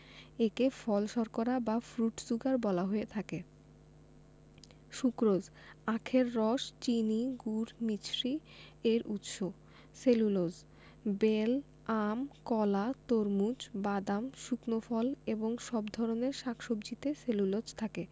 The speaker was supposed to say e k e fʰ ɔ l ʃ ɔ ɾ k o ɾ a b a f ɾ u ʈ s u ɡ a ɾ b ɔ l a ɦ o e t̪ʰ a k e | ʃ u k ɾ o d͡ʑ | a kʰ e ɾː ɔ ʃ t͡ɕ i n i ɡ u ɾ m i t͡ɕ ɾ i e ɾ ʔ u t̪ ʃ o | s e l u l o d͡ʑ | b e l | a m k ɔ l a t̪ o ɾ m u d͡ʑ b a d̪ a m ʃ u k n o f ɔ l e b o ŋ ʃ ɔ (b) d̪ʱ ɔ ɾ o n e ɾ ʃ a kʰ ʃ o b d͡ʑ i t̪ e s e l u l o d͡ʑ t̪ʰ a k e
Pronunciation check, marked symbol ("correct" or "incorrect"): correct